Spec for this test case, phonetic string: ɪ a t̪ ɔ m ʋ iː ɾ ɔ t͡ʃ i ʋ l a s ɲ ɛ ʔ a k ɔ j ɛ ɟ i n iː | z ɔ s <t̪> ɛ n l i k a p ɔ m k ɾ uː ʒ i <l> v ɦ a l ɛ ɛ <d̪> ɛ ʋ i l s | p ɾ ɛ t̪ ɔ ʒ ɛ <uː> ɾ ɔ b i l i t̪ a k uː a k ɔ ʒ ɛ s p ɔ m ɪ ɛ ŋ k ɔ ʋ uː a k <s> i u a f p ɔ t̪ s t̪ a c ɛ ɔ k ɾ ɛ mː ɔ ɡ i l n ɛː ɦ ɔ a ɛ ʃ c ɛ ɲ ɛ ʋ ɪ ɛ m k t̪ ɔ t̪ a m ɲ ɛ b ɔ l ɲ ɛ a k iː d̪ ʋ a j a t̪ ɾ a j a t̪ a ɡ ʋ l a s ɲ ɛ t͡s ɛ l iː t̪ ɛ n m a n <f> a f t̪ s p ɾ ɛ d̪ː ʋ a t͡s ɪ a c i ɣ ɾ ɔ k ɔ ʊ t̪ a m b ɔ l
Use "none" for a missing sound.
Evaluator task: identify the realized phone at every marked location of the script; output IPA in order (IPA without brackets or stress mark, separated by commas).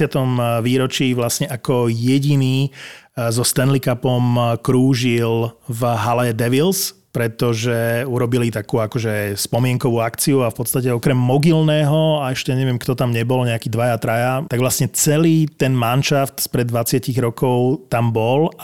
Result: t̪, l, d̪, u, t͡s, ʃ